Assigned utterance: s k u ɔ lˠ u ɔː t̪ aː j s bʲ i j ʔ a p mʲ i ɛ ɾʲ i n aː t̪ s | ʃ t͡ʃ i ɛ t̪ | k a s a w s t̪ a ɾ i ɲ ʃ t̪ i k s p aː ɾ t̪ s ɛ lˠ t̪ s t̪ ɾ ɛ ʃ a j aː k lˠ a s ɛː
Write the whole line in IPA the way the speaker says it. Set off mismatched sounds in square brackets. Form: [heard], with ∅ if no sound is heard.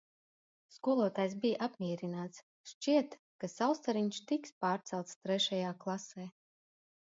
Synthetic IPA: s k u ɔ lˠ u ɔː t̪ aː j s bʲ i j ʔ a p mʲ i ɛ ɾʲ i n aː t̪ s | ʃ t͡ʃ i ɛ t̪ | k a s a w s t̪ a ɾ i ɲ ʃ t̪ i k s p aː ɾ t̪ s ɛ lˠ t̪ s t̪ ɾ ɛ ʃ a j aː k lˠ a s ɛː